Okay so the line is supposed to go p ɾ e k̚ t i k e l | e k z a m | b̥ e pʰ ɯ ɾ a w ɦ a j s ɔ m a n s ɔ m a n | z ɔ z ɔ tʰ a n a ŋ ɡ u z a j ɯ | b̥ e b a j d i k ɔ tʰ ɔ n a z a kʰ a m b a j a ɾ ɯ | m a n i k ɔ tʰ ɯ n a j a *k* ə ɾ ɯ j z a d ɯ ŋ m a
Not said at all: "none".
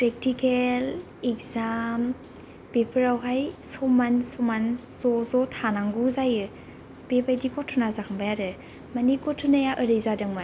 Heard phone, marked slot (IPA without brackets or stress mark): ʔ